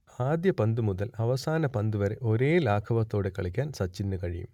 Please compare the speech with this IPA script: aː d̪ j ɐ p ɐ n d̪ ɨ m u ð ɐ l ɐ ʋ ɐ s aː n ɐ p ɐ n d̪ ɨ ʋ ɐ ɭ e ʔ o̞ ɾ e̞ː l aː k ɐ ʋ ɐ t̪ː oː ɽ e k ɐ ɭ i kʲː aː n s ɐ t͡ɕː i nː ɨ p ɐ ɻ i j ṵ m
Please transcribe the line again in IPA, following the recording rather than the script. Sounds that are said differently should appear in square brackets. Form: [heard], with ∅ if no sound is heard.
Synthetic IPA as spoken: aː d̪ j ɐ p ɐ n d̪ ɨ m u ð ɐ l ɐ ʋ ɐ s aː n ɐ p ɐ n d̪ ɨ ʋ ɐ [ɾ] e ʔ o̞ ɾ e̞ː l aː [kʰ] ɐ ʋ ɐ t̪ː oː ɽ e k ɐ ɭ i kʲː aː n s ɐ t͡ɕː i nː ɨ [k] ɐ ɻ i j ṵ m